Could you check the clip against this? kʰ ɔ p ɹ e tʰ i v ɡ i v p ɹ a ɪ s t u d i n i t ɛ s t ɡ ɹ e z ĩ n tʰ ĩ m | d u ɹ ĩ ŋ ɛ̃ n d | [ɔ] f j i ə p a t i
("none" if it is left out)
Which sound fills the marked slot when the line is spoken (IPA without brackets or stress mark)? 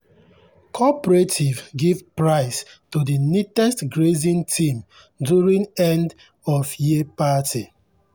ɔ